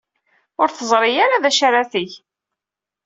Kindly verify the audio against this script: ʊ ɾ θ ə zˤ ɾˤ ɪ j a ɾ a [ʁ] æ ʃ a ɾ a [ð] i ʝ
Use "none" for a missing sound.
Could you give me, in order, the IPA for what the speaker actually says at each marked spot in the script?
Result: ð, θ

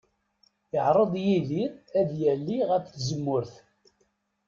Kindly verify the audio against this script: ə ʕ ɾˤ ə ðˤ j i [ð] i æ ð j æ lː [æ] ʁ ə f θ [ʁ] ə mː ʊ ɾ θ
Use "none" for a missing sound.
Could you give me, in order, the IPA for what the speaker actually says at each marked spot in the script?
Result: ð, i, z

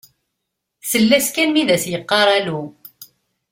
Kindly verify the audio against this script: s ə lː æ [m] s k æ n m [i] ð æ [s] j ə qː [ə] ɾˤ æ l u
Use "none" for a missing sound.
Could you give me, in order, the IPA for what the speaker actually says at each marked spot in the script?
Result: none, i, s, ɑ

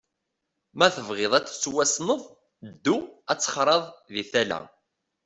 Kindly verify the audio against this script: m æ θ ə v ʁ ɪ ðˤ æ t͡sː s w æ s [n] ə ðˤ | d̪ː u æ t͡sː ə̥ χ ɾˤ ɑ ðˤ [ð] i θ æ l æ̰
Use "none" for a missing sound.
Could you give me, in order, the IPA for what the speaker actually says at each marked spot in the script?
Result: n, ð

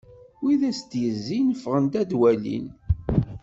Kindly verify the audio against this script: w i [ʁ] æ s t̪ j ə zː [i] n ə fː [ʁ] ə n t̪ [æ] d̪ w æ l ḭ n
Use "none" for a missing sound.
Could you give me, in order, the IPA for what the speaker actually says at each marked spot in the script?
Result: ð, i, ʁ, æ

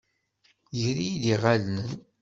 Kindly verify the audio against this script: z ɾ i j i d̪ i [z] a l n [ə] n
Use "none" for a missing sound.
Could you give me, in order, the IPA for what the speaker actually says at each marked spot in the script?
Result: ʁ, ə

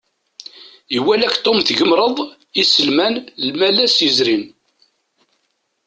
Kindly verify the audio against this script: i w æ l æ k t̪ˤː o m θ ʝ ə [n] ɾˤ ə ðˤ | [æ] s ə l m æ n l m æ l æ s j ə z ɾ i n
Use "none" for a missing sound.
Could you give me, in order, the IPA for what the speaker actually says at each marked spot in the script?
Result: m, i

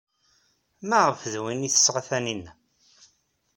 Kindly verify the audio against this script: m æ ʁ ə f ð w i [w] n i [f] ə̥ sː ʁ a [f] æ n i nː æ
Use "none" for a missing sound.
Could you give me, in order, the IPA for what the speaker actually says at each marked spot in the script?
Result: none, θ, θ

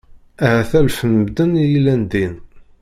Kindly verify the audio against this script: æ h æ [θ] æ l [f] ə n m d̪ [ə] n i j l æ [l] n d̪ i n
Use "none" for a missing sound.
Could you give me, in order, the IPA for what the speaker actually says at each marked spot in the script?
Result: θ, f, ə, none

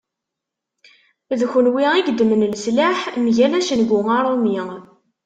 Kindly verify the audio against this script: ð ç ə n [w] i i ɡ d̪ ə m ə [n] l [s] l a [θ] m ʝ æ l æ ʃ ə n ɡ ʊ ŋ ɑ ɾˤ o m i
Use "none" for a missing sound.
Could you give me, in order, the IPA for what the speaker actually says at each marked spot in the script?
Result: w, n, s, ħ

